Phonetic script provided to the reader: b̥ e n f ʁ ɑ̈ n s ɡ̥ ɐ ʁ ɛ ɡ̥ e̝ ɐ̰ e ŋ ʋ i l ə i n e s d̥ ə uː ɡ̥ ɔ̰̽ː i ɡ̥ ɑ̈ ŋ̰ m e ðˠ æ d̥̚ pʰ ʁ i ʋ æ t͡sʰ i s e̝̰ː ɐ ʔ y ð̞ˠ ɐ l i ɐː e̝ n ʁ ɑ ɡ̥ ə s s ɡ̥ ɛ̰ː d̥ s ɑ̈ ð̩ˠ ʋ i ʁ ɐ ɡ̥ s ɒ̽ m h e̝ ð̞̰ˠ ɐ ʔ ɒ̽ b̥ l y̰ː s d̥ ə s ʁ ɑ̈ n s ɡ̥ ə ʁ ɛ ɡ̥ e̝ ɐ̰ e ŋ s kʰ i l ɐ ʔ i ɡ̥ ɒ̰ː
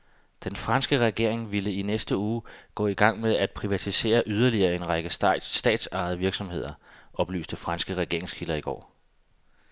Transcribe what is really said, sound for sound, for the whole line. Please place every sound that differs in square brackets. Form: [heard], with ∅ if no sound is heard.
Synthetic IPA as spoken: [d̥] e n f ʁ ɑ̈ n s ɡ̥ [ə] ʁ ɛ ɡ̥ e̝ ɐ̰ e ŋ ʋ i l ə i n e s d̥ ə uː ɡ̥ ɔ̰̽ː i ɡ̥ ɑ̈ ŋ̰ m e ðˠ æ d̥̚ pʰ ʁ i ʋ æ t͡sʰ i s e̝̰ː ɐ ʔ y ð̞ˠ ɐ l i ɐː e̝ n ʁ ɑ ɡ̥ ə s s [d̥] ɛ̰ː d̥ s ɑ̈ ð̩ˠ ʋ i [∅] ɐ ɡ̥ s ɒ̽ m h e̝ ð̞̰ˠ ɐ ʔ ɒ̽ b̥ l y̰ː s d̥ ə [f] ʁ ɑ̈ n s ɡ̥ ə ʁ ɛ ɡ̥ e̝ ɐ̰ e ŋ s kʰ i l ɐ [∅] i ɡ̥ ɒ̰ː